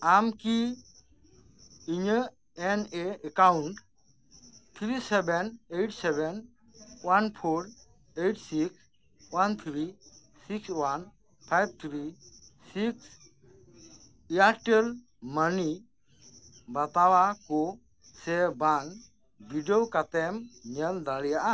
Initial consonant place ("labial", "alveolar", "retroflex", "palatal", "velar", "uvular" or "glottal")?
labial